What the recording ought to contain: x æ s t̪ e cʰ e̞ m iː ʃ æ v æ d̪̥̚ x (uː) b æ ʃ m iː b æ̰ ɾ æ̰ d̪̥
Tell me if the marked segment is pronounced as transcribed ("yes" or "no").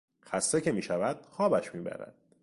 no